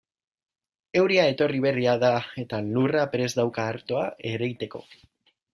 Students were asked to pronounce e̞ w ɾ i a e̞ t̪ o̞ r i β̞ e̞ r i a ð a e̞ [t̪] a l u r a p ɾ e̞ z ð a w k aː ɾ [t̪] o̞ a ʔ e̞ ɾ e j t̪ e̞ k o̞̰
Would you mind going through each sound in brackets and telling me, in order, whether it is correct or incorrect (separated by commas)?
correct, correct